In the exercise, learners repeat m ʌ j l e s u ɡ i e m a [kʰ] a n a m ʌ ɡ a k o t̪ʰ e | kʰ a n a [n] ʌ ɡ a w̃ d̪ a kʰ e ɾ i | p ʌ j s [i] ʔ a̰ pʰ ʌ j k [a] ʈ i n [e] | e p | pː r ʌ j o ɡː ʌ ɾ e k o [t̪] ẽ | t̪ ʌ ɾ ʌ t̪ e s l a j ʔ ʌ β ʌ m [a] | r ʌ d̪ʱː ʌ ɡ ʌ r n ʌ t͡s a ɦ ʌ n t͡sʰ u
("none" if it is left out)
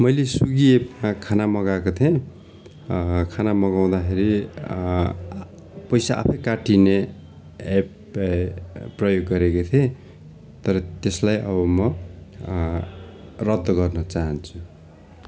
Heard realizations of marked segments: kʰ, m, a, a, e, t̪ʰ, ʌ

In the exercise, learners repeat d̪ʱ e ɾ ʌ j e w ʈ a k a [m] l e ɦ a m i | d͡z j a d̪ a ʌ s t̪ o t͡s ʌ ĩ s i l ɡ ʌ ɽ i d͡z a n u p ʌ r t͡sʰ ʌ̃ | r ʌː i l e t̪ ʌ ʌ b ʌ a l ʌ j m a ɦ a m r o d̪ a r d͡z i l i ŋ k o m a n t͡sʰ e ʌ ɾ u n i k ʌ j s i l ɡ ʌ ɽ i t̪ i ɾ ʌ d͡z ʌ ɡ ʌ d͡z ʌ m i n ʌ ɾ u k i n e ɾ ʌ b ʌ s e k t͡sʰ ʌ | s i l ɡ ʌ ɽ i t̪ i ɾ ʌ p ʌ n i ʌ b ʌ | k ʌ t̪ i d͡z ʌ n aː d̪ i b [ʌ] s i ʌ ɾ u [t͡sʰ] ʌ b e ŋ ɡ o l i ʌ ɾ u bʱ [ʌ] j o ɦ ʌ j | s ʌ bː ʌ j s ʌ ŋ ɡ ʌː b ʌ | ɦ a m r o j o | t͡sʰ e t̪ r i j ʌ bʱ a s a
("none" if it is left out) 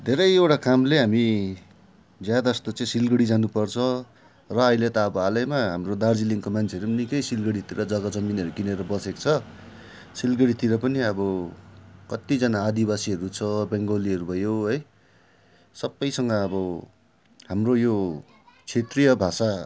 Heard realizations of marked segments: m, a, t͡sʰ, ʌ

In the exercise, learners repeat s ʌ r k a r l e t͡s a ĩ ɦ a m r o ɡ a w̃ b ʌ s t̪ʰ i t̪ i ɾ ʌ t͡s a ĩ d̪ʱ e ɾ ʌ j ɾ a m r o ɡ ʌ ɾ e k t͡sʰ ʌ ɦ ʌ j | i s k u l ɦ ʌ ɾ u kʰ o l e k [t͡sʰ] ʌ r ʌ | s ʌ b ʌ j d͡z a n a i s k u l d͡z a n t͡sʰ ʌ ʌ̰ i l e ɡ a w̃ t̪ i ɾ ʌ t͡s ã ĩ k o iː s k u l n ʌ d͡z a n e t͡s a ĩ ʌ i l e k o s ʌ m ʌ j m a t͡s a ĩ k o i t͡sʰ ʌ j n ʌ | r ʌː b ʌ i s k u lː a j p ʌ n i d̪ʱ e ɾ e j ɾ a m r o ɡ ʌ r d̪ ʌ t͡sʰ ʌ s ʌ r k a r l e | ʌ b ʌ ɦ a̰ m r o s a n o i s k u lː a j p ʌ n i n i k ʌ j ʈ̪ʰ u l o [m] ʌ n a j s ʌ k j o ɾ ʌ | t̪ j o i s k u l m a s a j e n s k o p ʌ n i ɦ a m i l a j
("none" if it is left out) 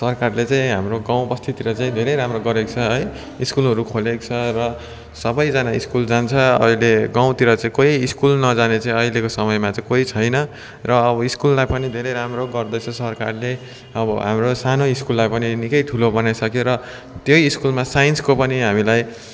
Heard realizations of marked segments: t͡sʰ, b

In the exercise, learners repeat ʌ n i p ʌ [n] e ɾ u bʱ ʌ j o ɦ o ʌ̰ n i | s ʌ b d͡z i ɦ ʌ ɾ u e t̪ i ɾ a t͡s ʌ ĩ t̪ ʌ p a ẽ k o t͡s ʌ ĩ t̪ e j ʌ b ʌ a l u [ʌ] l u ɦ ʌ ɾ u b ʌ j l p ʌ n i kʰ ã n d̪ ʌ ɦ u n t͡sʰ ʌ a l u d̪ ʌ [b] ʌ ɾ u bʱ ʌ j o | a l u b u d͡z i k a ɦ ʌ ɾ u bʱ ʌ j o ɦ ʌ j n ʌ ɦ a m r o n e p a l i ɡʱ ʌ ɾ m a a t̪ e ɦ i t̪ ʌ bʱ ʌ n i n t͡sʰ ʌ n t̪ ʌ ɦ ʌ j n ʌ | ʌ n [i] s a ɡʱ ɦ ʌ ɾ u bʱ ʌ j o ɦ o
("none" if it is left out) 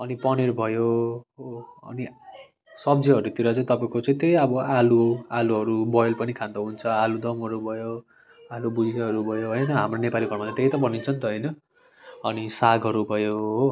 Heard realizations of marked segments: n, a, m, i

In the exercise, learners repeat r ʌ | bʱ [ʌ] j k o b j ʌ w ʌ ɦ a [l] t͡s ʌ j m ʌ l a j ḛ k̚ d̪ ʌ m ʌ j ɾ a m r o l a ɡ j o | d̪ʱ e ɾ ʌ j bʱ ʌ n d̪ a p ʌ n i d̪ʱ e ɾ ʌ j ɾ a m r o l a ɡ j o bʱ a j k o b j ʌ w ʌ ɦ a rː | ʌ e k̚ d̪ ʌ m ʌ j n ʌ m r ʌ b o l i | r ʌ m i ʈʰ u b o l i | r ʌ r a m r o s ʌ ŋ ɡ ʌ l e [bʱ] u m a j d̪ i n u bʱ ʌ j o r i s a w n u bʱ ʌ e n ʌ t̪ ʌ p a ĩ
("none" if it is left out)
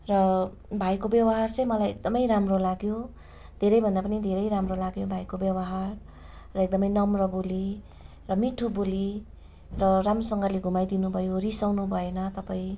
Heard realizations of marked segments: a, r, ɡʱ

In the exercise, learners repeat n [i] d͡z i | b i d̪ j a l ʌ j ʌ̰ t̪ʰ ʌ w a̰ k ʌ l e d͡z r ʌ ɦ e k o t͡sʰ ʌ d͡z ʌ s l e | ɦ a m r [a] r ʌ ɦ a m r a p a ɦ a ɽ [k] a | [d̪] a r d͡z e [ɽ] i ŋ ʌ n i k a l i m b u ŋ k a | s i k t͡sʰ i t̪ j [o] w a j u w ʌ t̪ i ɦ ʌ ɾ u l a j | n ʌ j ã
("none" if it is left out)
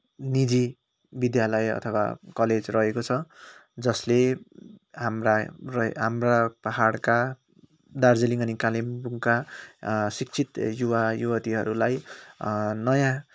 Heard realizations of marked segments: i, a, k, d̪, l, u

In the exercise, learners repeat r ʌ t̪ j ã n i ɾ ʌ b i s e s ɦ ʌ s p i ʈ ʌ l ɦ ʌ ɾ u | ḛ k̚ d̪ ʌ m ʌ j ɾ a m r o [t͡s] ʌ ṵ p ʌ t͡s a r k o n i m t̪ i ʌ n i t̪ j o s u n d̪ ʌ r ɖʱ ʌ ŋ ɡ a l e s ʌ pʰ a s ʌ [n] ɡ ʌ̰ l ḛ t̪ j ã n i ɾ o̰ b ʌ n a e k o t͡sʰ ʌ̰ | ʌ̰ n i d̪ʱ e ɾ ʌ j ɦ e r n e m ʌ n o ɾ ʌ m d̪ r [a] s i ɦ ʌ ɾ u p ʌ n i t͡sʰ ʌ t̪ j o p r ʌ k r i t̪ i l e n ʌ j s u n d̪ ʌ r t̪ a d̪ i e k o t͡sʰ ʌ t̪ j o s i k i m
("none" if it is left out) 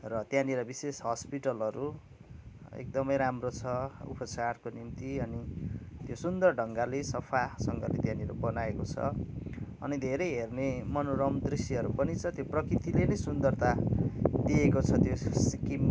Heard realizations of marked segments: t͡sʰ, ŋ, i

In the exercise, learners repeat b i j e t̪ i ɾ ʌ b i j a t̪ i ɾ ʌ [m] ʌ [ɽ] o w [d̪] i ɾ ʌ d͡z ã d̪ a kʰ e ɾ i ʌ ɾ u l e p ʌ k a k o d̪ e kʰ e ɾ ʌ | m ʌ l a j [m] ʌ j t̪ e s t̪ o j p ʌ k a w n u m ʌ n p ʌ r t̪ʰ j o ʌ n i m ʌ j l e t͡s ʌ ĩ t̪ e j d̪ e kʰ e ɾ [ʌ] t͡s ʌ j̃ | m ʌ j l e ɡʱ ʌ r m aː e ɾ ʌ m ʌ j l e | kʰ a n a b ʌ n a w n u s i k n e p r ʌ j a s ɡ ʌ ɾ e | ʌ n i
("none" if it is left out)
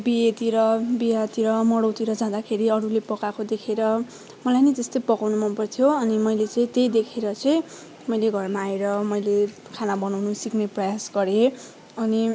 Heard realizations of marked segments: m, ɽ, t̪, n, ʌ

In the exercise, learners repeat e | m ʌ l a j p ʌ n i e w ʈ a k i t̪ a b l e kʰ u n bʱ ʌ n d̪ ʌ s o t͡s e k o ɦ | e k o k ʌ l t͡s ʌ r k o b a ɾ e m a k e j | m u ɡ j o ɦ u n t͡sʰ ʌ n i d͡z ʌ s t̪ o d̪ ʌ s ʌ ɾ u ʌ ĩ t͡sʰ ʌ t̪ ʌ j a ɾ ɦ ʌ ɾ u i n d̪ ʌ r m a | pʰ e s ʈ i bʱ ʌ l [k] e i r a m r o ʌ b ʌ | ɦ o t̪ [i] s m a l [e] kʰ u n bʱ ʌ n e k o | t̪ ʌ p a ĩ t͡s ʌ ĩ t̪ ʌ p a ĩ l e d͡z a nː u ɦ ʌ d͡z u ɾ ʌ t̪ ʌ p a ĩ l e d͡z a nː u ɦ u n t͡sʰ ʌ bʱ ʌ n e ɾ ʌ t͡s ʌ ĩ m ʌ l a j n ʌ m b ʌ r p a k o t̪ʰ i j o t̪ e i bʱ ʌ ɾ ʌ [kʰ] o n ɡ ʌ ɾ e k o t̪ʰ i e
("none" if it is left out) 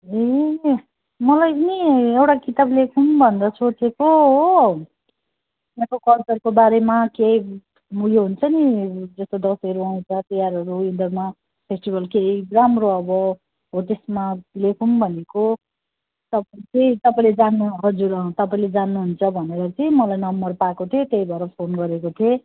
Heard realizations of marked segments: k, e, e, pʰ

